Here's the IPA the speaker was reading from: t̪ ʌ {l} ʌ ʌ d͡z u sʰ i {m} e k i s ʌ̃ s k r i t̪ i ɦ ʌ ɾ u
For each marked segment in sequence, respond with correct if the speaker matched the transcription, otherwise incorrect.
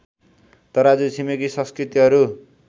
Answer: incorrect: ɾ, correct

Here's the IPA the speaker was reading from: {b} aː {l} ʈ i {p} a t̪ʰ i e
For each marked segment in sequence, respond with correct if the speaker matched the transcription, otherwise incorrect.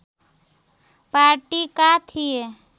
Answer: incorrect: p, incorrect: ɾ, incorrect: k

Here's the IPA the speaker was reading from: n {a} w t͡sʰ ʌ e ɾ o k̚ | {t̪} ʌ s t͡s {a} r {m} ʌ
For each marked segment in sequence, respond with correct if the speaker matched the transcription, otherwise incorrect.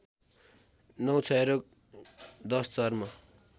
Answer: incorrect: ʌ, incorrect: d̪, incorrect: ʌ, correct

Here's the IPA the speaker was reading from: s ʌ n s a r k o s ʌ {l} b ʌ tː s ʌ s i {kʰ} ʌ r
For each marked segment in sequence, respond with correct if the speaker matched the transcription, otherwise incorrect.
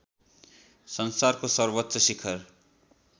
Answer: incorrect: r, correct

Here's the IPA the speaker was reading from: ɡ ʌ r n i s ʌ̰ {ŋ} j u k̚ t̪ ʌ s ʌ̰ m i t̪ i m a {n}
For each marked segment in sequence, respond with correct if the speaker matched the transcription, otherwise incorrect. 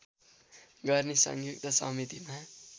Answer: correct, incorrect: none

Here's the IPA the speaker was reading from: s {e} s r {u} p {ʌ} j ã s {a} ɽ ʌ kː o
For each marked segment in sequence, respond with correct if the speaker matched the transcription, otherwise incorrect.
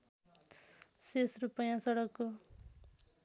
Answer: correct, correct, correct, incorrect: ʌ

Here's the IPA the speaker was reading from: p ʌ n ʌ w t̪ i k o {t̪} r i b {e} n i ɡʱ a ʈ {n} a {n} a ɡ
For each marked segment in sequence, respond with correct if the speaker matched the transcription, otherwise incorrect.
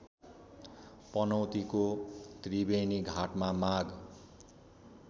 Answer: correct, correct, incorrect: m, incorrect: m

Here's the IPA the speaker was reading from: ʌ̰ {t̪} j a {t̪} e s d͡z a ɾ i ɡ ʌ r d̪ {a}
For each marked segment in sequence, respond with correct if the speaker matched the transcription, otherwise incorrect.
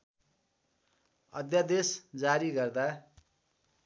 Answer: incorrect: d̪, incorrect: d̪, correct

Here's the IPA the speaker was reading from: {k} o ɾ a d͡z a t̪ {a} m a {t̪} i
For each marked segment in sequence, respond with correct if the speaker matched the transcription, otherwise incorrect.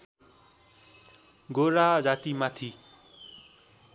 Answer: incorrect: ɡ, incorrect: i, incorrect: t̪ʰ

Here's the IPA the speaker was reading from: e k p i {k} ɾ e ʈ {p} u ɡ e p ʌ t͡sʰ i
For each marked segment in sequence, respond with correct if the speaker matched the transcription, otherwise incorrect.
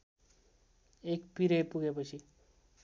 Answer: incorrect: none, correct

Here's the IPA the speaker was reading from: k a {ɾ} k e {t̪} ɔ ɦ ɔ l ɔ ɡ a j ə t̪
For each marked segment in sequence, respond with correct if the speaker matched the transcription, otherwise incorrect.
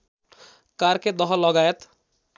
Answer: correct, incorrect: d̪

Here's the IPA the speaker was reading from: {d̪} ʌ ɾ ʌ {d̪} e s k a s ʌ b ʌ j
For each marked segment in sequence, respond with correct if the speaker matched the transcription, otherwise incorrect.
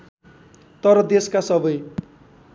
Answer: incorrect: t̪, correct

